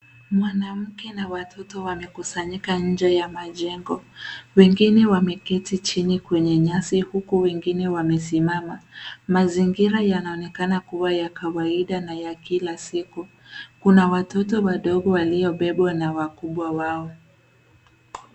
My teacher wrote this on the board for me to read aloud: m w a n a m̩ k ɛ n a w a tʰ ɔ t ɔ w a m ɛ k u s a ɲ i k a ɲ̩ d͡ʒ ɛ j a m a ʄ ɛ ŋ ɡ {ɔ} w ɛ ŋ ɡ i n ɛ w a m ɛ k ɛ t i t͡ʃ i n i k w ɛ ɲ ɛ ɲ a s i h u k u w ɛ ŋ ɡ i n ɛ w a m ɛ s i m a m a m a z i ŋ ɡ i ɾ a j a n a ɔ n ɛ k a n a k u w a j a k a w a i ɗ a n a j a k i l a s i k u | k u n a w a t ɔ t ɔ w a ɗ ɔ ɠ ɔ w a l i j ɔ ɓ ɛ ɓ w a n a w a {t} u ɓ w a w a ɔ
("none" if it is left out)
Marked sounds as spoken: ɔ, k

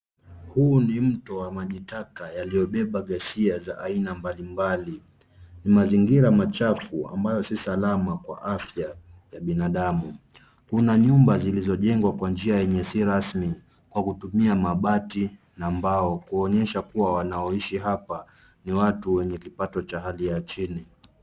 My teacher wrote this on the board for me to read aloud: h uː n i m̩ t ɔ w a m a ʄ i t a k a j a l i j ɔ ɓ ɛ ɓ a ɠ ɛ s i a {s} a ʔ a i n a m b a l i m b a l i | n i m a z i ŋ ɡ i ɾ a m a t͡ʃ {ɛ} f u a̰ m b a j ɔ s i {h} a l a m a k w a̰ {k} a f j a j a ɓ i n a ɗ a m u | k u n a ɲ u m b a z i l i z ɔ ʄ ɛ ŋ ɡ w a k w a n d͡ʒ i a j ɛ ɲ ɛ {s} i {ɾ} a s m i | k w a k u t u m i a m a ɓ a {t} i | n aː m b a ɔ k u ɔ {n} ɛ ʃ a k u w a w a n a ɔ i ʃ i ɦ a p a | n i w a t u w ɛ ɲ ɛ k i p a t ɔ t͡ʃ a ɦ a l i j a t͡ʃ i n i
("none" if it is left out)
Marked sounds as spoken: z, a, s, ʔ, s, ɾ, t, ɲ

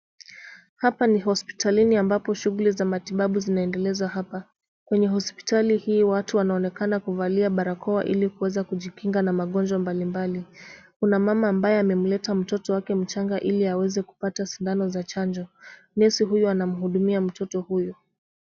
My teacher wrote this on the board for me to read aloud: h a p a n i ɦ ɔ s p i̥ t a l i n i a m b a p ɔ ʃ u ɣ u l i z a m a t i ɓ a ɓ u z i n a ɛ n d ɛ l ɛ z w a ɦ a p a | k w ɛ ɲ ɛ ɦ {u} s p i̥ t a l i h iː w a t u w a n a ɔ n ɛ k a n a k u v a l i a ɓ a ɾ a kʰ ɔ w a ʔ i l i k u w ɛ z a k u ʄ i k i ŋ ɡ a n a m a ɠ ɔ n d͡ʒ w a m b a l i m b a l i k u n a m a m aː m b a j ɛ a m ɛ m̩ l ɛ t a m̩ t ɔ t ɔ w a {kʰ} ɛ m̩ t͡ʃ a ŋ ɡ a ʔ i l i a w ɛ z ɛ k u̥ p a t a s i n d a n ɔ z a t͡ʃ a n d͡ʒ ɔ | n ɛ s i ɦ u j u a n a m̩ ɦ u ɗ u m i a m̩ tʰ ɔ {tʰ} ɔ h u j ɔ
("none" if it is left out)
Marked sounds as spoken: ɔ, k, t

